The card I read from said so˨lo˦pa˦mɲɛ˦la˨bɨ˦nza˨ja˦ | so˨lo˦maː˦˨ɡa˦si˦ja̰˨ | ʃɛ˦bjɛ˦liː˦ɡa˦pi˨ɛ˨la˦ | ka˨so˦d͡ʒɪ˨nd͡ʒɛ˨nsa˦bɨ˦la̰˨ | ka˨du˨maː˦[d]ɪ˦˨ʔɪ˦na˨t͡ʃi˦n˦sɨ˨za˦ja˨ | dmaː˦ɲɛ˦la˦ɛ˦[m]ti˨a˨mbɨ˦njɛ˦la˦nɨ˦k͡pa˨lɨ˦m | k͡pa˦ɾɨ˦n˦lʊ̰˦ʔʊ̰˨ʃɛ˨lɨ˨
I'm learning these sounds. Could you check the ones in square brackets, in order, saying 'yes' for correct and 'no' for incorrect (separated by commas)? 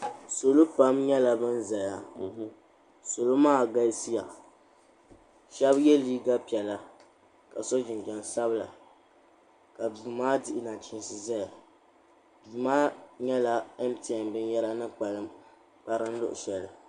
yes, yes